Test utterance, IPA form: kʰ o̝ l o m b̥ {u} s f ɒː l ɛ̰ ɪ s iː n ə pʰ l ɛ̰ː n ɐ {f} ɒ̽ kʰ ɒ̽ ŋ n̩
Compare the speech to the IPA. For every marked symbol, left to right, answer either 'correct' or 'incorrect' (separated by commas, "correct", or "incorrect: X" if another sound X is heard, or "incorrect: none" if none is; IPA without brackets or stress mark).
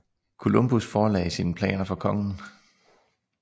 correct, correct